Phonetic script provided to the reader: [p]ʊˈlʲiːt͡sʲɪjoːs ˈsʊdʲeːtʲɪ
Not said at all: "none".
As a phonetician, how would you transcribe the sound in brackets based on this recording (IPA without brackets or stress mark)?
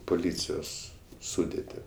p